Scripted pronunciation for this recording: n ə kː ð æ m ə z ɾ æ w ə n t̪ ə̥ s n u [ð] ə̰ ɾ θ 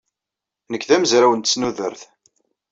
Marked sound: correct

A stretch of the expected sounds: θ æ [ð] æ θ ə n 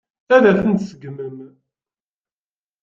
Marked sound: correct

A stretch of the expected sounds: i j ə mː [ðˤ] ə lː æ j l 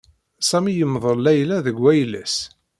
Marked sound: correct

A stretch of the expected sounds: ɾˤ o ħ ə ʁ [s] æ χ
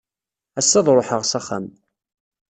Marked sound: correct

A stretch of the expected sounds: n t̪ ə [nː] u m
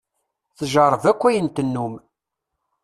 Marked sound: correct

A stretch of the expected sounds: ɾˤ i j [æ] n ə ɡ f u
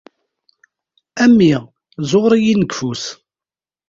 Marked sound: incorrect: i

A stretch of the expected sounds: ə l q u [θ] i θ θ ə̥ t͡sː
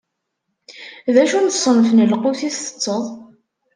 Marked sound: correct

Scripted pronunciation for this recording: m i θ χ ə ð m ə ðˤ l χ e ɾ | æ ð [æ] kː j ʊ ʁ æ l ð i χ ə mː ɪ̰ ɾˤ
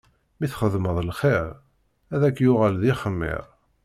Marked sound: correct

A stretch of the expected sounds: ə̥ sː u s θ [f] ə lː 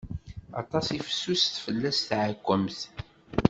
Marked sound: correct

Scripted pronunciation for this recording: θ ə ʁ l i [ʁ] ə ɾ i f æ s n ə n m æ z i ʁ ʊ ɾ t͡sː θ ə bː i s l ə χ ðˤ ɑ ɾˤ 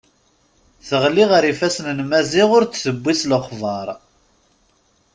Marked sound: correct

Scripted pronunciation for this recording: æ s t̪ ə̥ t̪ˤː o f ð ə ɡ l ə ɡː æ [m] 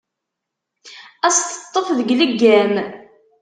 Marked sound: correct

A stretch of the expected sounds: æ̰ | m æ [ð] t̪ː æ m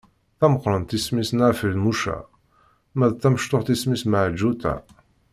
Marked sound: correct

